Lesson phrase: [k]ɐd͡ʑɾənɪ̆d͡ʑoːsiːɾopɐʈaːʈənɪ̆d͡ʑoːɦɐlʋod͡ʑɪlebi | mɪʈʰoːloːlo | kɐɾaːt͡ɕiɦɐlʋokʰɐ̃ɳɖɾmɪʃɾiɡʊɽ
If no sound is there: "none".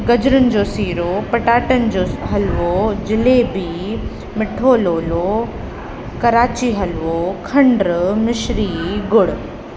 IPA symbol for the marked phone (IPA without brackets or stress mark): ɡ